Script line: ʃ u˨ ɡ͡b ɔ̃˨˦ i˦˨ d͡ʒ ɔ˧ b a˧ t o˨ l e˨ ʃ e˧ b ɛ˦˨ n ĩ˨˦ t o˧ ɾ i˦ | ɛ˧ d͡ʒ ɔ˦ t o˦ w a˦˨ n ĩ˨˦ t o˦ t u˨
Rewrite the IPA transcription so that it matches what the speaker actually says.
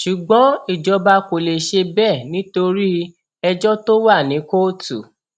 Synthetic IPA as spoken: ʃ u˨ ɡ͡b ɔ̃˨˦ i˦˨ d͡ʒ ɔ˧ b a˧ k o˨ l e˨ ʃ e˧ b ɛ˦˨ n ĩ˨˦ t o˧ ɾ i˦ | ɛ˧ d͡ʒ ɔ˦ t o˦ w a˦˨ n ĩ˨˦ k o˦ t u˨